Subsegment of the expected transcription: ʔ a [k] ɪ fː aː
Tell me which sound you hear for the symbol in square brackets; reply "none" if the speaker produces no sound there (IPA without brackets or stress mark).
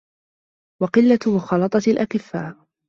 k